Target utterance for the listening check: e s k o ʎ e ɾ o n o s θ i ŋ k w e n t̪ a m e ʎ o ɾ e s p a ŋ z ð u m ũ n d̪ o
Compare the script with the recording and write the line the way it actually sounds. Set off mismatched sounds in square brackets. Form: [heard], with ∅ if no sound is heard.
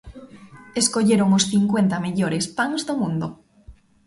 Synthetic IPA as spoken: e s k o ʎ e ɾ o [ŋ] o s θ i ŋ k w e n t̪ a m e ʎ o ɾ e s p a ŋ z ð [o] m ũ n d̪ o